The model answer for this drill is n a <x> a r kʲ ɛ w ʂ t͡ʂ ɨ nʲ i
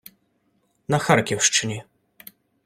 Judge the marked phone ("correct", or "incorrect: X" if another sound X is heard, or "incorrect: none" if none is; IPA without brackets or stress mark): correct